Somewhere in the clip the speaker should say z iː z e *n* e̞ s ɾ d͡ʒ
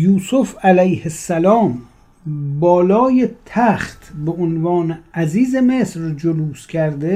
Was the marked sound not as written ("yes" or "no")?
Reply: yes